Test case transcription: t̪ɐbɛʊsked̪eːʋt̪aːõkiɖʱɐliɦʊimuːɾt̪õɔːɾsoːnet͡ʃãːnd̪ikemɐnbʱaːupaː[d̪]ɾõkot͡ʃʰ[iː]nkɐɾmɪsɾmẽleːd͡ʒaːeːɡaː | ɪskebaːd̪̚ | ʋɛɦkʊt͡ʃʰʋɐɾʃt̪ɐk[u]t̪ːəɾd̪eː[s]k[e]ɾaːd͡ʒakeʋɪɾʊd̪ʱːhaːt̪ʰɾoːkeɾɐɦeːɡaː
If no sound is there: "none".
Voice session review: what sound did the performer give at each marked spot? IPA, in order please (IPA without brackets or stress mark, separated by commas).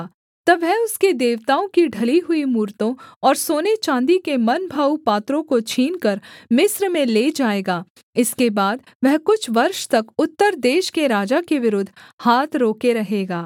t̪, iː, ʊ, ʃ, e